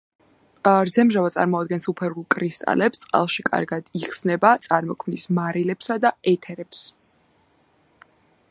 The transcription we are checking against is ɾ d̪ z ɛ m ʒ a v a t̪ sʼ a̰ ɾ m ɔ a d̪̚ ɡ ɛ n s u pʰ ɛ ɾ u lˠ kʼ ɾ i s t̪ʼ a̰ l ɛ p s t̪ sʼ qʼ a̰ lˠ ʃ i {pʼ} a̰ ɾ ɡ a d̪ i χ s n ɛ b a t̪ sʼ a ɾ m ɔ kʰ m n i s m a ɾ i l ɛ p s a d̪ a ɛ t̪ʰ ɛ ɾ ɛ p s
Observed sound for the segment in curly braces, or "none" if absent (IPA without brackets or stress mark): kʼ